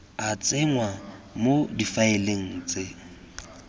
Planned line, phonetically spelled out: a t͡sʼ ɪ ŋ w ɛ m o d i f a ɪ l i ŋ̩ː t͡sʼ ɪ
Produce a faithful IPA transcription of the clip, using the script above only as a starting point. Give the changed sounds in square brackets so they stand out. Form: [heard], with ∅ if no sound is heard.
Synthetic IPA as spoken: a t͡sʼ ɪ ŋ w [a] m o d i f a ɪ l [e] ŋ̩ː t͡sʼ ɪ